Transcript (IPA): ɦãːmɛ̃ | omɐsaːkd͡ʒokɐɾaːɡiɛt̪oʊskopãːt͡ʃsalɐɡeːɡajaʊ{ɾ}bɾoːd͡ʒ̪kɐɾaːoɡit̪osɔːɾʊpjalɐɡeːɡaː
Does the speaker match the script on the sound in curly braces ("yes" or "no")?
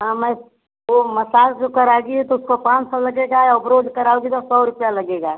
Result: no